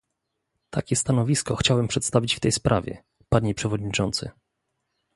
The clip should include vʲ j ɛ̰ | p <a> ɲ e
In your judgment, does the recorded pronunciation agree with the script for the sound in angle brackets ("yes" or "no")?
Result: yes